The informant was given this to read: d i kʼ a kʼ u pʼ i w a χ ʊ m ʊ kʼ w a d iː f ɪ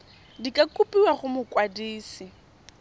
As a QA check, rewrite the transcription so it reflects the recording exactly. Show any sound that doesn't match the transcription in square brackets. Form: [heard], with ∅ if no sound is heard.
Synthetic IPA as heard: d i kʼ a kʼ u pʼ i w a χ ʊ m ʊ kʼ w a d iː [s] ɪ